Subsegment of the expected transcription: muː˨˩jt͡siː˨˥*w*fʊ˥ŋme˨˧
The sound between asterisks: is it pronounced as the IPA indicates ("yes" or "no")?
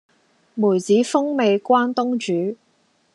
no